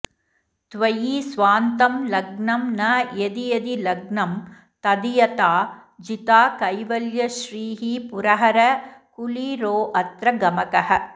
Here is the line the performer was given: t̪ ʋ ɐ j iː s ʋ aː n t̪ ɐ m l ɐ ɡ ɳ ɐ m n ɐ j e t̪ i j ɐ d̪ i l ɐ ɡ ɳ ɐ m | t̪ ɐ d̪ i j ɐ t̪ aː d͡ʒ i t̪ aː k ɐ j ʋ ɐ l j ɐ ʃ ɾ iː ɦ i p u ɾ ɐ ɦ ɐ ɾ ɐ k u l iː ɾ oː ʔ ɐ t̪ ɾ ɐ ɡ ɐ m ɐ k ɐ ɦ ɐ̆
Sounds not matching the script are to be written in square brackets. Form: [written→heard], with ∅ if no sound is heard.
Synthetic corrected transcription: t̪ ʋ ɐ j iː s ʋ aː n t̪ ɐ m l ɐ ɡ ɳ ɐ m n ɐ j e [t̪→d̪] i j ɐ d̪ i l ɐ ɡ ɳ ɐ m | t̪ ɐ d̪ i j ɐ t̪ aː d͡ʒ i t̪ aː k ɐ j ʋ ɐ l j ɐ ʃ ɾ iː ɦ i p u ɾ ɐ ɦ ɐ ɾ ɐ k u l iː ɾ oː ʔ ɐ t̪ ɾ ɐ ɡ ɐ m ɐ k ɐ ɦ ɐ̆